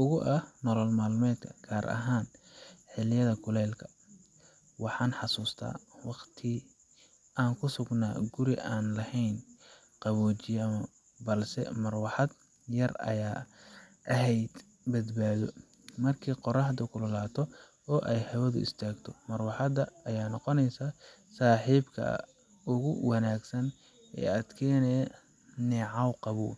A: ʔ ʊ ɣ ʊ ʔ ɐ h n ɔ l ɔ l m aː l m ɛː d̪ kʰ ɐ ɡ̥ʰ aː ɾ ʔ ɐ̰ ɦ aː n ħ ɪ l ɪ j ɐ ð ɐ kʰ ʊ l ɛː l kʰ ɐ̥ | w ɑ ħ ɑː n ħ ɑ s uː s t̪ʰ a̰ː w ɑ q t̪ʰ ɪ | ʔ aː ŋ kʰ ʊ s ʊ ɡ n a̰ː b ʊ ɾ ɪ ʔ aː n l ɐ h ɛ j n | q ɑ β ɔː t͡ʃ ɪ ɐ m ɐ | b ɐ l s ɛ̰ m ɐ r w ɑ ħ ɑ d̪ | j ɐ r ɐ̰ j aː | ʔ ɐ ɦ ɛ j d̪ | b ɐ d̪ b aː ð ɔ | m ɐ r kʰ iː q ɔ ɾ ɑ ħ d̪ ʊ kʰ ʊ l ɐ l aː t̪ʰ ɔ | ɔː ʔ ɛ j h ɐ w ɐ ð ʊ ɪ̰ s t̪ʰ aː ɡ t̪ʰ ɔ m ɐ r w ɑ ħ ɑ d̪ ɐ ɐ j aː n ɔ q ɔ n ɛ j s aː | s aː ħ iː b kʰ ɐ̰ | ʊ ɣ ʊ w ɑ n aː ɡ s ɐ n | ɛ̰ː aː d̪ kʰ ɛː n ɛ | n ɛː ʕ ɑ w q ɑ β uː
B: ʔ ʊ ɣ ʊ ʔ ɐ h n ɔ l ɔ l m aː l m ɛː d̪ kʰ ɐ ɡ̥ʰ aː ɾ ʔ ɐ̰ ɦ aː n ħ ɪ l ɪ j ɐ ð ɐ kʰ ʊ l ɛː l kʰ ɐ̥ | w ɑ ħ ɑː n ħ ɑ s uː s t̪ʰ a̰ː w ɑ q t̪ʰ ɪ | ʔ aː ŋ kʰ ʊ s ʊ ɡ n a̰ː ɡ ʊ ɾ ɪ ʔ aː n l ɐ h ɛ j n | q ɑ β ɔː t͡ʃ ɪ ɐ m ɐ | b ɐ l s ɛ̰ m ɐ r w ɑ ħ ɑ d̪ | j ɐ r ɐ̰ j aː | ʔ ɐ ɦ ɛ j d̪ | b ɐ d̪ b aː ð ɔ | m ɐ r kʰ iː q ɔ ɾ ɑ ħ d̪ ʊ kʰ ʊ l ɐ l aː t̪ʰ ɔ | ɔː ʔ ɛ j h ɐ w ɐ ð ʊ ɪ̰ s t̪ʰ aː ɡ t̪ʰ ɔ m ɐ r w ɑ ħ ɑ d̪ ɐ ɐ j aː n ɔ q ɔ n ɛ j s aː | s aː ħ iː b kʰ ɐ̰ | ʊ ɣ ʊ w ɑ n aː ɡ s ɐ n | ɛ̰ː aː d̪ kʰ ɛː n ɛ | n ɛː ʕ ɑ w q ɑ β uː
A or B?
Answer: B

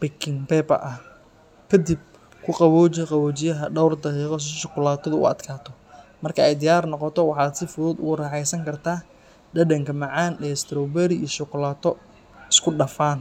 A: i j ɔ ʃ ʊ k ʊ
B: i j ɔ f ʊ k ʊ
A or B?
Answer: A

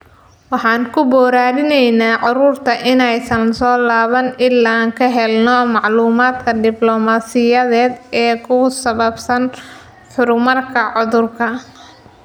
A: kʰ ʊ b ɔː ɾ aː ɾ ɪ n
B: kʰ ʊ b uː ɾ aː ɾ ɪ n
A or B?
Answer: A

